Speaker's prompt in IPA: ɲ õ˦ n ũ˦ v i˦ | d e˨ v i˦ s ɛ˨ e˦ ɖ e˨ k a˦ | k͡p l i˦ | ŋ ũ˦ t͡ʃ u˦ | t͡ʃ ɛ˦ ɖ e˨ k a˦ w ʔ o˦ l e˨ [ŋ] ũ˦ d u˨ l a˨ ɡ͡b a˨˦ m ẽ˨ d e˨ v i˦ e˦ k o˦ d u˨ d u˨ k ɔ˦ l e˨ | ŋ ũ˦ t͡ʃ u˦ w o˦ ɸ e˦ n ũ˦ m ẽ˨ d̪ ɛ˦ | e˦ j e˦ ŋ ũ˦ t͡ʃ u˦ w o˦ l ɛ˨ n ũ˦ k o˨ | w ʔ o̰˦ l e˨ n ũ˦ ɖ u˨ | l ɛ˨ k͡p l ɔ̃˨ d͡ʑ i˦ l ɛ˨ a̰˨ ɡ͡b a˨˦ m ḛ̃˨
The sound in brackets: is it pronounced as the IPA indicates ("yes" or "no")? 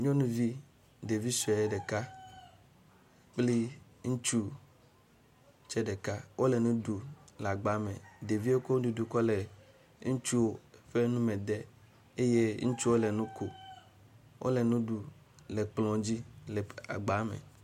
no